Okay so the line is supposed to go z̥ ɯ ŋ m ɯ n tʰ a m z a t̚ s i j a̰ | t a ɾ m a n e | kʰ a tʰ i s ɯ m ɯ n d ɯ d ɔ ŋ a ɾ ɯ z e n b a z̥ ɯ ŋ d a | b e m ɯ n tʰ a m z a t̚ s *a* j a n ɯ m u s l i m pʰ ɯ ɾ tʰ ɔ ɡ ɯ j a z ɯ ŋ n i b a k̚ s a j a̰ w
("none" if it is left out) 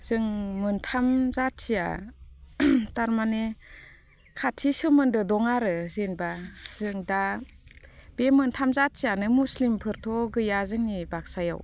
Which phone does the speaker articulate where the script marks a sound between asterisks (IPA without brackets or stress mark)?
i